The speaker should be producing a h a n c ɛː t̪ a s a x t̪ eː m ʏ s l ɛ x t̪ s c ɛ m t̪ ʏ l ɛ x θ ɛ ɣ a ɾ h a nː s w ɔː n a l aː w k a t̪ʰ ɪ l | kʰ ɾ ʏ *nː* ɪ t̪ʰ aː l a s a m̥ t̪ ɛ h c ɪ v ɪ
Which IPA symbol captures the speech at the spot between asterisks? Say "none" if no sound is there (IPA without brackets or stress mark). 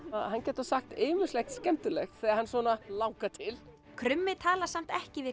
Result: mː